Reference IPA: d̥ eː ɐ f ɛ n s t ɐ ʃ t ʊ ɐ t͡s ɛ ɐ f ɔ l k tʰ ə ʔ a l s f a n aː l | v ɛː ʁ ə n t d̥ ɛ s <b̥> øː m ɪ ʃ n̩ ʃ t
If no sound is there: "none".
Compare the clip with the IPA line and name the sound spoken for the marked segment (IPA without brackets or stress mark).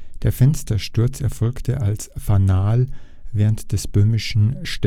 b̥